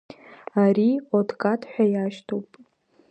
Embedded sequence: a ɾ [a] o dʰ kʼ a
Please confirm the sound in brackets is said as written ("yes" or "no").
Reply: no